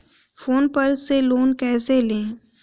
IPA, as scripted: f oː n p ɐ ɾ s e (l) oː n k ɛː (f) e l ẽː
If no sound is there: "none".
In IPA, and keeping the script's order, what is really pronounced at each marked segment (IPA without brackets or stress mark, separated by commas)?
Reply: l, s